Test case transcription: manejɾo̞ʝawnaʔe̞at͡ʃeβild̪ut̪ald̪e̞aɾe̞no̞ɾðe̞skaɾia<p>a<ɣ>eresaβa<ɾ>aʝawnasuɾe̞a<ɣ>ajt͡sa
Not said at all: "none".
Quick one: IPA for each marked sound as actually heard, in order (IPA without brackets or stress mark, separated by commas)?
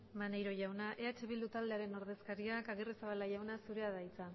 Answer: k, ɣ, l, ð